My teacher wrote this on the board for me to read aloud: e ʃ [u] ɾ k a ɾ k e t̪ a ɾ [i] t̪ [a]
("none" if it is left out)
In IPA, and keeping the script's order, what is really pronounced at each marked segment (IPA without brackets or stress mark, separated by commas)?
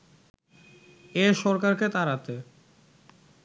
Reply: ɔ, a, e